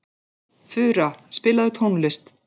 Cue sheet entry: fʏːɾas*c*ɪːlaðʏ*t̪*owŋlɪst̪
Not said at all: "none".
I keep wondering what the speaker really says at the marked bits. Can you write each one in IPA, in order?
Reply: p, t̪ʰ

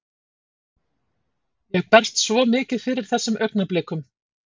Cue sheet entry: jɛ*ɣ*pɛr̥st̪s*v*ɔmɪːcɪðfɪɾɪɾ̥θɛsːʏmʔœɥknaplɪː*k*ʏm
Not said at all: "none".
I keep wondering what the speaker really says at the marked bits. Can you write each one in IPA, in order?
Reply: ɣ, v, k

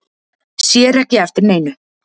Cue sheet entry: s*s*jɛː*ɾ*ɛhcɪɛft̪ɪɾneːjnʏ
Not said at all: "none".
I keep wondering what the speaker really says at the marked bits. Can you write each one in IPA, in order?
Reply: s, ɾ

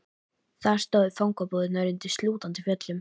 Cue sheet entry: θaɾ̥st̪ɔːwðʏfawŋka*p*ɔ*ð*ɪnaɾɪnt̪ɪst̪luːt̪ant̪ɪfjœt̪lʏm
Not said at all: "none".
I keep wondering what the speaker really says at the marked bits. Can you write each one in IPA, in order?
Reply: p, ð

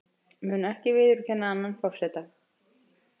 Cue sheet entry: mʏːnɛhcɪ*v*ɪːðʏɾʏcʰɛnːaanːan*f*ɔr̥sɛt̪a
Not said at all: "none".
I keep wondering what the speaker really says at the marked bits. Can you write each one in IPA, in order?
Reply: v, f

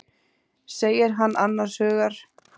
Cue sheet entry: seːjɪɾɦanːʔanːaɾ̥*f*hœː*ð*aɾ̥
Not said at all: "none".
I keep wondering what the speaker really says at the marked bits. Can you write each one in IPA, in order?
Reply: s, ɣ

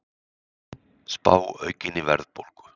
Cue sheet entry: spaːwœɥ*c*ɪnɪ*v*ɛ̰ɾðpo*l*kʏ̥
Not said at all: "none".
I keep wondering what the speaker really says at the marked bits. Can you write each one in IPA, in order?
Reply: c, v, l

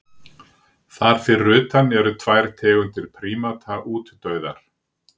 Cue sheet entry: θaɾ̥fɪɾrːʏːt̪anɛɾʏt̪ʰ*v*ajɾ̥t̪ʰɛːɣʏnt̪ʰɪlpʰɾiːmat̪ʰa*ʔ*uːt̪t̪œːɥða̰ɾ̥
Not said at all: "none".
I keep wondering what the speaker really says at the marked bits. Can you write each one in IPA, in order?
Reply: v, ʔ

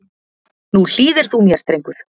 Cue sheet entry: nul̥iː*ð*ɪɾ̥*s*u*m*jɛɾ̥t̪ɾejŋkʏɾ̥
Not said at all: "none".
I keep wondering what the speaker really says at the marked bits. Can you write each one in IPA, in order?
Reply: ð, θ, m

